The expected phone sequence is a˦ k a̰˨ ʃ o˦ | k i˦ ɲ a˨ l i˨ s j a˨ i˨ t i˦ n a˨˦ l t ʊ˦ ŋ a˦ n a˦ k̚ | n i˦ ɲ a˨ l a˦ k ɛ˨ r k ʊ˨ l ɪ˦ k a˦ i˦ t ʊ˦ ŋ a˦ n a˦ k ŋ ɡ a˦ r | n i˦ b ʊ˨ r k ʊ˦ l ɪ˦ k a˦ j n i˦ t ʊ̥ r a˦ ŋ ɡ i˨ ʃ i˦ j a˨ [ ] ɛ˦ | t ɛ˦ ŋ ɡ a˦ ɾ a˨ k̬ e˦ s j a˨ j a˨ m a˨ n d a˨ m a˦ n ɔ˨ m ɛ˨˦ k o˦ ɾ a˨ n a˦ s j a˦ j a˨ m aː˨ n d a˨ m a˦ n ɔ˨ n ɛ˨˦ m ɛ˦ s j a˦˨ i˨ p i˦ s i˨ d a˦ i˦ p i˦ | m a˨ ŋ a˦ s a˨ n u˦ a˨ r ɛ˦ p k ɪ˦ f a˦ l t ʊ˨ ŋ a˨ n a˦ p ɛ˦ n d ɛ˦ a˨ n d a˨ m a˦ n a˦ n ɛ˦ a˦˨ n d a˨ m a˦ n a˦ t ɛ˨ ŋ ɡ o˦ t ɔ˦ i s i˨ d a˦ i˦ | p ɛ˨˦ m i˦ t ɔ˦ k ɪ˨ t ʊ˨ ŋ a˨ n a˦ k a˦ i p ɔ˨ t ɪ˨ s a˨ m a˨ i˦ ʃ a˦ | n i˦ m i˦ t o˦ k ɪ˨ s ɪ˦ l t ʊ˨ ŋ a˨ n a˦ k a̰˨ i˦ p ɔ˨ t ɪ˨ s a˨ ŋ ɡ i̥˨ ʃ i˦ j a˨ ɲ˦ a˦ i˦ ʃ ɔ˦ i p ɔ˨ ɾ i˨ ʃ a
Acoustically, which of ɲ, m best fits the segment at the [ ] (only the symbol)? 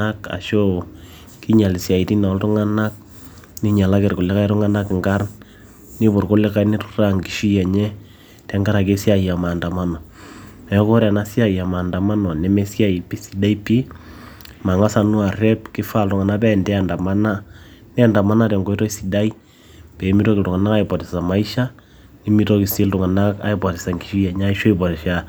ɲ